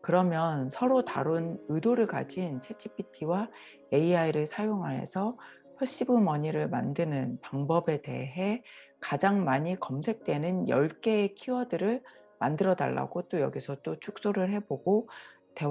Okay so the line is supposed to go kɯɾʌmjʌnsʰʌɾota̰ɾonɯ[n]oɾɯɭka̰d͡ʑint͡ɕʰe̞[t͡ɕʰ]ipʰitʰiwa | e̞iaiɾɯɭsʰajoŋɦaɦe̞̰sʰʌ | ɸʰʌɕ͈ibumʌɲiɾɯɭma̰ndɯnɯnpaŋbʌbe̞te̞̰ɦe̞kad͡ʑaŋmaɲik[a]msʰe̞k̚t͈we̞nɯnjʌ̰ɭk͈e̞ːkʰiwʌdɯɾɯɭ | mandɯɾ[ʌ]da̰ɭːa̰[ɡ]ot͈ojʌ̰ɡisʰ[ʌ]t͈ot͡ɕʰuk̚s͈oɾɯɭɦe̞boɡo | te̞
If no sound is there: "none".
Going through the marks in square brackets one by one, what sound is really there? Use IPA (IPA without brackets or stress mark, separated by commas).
d, t͡ɕʰ, ʌ, ʌ, ɡ, ʌ